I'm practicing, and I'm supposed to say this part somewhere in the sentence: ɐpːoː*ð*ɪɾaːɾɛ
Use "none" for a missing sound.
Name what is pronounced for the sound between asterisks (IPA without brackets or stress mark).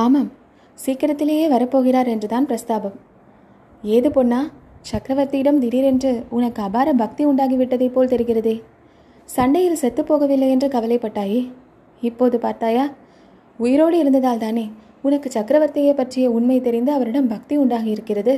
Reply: ɣ